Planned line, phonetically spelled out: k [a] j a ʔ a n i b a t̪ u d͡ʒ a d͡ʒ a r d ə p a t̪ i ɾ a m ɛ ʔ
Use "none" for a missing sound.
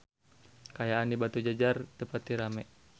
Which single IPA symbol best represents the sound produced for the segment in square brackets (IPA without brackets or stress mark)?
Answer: a